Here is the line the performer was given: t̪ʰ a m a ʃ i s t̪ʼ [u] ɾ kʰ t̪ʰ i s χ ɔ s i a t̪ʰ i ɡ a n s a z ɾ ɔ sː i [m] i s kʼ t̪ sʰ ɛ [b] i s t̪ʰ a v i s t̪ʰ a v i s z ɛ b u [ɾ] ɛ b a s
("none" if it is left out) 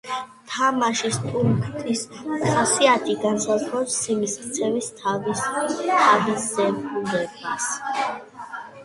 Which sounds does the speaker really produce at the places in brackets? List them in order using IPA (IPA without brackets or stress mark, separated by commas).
u, m, v, l